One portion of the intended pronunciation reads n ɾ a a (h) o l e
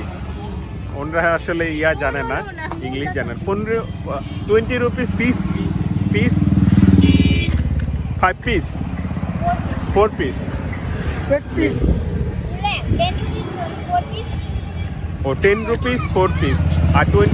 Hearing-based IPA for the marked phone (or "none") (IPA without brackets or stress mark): ʃ